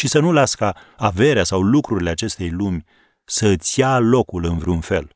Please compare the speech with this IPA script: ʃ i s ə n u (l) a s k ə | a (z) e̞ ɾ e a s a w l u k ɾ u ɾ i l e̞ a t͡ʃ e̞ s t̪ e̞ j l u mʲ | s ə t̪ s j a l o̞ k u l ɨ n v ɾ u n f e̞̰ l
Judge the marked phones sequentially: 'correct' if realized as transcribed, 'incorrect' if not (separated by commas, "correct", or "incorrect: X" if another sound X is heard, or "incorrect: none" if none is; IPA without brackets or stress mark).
correct, incorrect: v